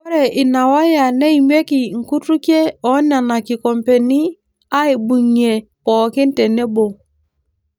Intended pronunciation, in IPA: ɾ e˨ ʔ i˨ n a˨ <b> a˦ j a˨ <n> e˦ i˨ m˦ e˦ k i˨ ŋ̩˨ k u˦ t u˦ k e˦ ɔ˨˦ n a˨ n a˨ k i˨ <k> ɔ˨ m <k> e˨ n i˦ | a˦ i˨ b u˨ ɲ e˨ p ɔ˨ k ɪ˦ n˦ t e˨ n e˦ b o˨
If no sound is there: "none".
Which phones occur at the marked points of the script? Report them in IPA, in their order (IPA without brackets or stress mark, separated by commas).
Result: w, n, k, p